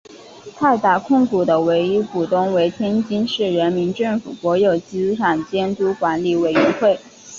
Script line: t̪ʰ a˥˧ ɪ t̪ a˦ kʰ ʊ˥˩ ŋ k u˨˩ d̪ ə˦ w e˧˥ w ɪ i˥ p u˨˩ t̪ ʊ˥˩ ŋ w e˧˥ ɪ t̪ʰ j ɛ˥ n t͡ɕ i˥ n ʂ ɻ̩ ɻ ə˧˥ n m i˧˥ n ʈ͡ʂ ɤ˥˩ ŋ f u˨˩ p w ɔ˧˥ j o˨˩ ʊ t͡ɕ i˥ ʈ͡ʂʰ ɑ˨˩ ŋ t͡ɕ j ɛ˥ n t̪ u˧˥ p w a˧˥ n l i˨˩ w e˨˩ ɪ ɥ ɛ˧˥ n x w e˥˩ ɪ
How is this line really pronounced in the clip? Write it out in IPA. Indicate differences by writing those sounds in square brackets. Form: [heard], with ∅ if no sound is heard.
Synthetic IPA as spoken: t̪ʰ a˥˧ ɪ t̪ [a˥˩] kʰ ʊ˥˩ ŋ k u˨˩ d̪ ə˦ w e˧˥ [∅] ɪ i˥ p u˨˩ t̪ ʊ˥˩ ŋ w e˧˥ ɪ t̪ʰ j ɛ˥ n t͡ɕ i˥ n ʂ ɻ̩ ɻ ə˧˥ n m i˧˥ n ʈ͡ʂ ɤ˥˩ ŋ f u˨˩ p w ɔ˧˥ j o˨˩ ʊ t͡ɕ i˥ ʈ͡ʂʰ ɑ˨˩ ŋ t͡ɕ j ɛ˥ n t̪ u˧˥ [k] w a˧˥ n l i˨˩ w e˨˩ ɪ ɥ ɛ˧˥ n x w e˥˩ ɪ